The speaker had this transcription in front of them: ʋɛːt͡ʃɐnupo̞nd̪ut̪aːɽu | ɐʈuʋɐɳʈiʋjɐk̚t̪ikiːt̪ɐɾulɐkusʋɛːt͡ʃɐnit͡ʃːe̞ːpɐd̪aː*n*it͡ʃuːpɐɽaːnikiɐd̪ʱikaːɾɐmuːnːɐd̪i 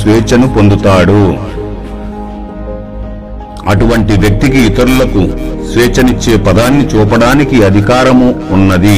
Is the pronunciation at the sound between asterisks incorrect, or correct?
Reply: incorrect